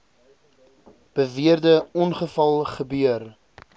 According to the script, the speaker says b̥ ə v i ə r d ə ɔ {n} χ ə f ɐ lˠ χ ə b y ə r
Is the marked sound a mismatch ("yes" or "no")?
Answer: no